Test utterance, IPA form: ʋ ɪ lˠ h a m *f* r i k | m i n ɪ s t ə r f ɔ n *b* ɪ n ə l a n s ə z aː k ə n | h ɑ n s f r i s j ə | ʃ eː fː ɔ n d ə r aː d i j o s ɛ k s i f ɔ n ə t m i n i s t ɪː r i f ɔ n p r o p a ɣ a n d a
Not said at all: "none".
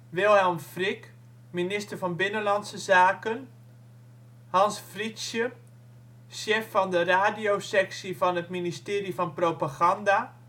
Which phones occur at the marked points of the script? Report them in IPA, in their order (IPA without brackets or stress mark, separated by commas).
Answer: f, b